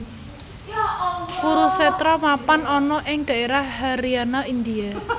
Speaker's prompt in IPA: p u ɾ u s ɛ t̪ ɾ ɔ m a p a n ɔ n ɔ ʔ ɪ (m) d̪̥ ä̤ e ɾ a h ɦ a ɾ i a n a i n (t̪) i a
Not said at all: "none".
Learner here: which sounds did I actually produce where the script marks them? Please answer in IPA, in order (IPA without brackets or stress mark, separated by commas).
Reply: ŋ, d̪